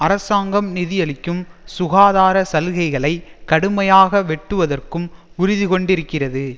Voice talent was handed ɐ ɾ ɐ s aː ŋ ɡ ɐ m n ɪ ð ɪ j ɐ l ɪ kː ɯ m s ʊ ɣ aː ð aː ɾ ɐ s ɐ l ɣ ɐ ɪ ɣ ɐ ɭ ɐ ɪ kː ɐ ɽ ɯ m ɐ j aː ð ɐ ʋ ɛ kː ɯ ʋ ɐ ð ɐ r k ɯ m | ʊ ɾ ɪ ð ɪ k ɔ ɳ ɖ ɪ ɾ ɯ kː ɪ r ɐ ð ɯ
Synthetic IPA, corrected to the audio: ɐ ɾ ɐ s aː ŋ ɡ ɐ m n ɪ ð ɪ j ɐ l ɪ kː ɯ m s ʊ ɣ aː ð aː ɾ ɐ s ɐ l ɣ ɐ ɪ ɣ ɐ ɭ ɐ ɪ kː ɐ ɽ ɯ m ɐ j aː ɣ ɐ ʋ ɛ ʈː ɯ ʋ ɐ ð ɐ r k ɯ m | ʊ ɾ ɪ ð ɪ k ɔ ɳ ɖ ɪ ɾ ɯ kː ɪ r ɐ ð ɯ